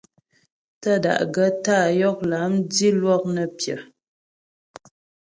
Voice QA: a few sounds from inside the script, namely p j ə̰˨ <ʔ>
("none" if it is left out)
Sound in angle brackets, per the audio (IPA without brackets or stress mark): none